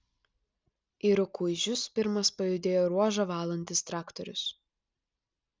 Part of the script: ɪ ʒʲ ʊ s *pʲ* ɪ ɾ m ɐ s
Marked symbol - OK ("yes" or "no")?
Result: yes